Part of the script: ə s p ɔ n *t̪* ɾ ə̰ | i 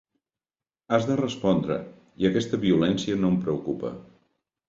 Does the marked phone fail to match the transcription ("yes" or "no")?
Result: yes